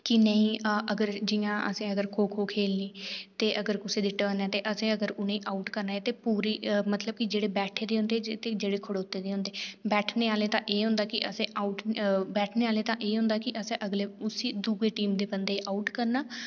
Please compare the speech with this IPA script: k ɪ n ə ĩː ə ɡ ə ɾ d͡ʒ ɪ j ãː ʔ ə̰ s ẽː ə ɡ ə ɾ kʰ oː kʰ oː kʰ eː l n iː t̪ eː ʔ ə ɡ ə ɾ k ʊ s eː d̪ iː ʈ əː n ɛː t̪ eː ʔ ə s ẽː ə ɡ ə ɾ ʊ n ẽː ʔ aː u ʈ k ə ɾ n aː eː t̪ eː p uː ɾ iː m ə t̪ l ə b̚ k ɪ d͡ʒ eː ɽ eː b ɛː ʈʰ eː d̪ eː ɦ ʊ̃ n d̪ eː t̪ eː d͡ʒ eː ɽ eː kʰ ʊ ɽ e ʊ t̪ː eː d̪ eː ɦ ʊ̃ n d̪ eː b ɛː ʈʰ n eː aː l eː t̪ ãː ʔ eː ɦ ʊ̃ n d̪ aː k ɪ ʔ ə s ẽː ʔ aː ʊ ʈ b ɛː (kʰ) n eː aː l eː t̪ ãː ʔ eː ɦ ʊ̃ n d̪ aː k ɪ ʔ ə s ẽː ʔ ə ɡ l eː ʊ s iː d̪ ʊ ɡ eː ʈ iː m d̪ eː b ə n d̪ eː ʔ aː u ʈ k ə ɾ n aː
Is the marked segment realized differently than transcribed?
yes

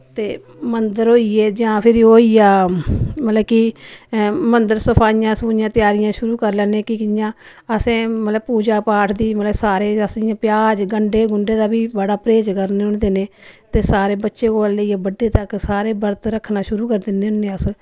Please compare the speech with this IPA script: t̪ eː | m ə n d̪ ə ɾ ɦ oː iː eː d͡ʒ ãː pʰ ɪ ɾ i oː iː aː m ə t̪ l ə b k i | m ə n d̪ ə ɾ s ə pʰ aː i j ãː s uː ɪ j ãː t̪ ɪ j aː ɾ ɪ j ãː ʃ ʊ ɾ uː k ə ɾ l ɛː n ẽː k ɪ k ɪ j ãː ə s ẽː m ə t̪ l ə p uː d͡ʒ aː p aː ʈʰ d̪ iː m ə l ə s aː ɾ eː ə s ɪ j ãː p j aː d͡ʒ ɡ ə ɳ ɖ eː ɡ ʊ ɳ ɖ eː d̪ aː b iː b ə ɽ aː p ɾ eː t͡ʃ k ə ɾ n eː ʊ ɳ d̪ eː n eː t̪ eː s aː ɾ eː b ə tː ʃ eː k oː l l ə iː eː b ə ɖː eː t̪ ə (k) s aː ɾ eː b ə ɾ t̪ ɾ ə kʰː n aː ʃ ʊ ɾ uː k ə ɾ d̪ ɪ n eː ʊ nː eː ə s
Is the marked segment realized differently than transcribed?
no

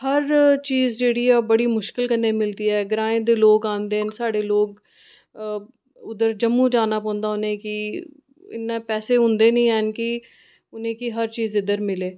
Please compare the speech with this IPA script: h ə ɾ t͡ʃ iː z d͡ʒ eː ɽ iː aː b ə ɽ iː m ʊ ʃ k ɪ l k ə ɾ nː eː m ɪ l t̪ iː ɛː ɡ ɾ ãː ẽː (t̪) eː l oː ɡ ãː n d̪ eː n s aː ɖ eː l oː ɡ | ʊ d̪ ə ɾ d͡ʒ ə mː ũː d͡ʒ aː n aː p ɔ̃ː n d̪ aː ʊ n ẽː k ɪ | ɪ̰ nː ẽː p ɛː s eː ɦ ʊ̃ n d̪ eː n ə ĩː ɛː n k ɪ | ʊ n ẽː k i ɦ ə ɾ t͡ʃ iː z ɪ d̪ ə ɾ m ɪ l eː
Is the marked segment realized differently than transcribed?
yes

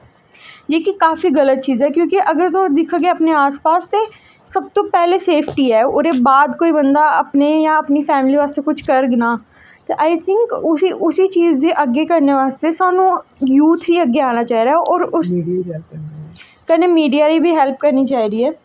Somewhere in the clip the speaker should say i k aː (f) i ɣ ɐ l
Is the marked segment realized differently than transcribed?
no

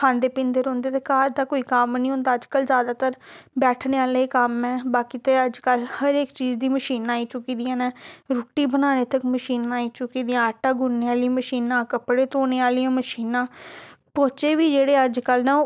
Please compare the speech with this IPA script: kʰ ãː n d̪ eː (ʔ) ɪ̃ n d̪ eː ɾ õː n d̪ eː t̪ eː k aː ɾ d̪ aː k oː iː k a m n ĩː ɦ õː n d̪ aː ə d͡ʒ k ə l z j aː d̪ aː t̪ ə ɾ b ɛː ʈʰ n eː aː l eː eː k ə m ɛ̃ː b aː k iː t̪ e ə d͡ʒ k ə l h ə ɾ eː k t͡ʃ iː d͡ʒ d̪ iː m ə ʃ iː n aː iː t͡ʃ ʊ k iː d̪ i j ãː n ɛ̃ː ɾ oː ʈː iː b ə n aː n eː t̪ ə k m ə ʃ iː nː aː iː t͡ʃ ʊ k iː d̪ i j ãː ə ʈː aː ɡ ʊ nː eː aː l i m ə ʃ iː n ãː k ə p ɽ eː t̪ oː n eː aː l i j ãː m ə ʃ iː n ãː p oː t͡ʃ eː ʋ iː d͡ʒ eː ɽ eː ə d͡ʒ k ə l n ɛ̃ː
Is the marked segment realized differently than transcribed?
yes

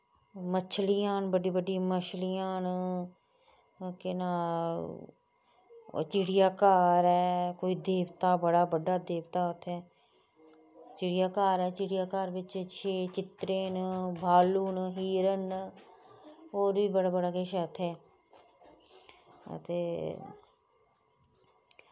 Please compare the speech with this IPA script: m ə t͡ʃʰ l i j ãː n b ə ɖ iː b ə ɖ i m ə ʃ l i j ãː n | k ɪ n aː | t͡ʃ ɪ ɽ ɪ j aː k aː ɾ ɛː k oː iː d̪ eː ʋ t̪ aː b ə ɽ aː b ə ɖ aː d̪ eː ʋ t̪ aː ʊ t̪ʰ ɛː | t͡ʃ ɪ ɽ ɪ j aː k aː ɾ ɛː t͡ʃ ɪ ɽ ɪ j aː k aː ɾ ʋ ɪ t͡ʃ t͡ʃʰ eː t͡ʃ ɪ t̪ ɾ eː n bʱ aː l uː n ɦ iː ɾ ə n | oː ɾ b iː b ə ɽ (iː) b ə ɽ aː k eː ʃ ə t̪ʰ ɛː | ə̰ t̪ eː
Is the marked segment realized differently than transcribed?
yes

